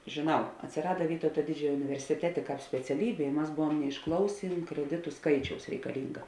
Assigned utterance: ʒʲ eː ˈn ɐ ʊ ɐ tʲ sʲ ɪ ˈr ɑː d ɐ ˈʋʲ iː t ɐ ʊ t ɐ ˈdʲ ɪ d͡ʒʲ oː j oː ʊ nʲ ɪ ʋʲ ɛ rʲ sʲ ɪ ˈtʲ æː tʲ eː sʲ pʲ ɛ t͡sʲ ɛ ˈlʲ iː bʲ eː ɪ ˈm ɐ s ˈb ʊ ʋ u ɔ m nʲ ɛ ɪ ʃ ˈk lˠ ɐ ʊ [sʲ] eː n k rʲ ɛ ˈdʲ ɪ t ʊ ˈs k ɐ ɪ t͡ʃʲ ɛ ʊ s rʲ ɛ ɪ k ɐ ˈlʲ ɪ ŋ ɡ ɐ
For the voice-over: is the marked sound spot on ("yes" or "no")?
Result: yes